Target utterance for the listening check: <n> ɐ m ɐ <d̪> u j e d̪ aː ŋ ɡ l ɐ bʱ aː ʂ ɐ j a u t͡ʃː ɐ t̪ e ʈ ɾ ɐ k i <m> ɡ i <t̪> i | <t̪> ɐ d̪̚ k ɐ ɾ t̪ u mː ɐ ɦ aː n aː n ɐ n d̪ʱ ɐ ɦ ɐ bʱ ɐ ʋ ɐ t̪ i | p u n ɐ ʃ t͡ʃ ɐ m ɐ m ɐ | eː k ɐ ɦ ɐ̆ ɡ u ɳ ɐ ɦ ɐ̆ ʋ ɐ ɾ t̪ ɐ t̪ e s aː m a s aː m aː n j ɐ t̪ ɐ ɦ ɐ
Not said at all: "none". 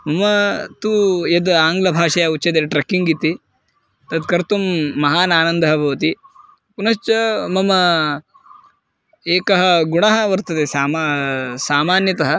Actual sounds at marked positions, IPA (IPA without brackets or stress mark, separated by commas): m, t̪, ŋ, t̪, t̪